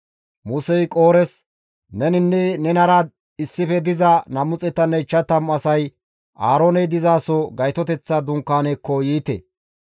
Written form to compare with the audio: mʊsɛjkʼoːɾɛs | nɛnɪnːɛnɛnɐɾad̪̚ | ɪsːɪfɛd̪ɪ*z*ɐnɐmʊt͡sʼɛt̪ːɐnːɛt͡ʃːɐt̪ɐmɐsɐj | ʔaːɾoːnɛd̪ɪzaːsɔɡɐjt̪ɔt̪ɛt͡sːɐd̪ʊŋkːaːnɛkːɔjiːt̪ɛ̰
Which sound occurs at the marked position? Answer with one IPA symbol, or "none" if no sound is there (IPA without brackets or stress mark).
z